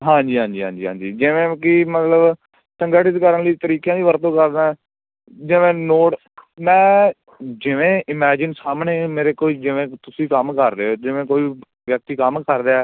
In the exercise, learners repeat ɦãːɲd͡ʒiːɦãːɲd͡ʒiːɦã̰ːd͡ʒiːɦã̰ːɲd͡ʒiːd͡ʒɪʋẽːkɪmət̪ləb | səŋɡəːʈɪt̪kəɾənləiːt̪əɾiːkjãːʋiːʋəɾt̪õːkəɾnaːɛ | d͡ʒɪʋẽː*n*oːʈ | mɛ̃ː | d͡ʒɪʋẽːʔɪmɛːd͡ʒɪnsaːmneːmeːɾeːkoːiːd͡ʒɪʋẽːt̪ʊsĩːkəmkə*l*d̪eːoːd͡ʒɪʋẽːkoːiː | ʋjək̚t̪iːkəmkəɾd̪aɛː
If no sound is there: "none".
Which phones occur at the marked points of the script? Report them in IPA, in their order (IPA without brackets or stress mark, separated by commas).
n, ɾ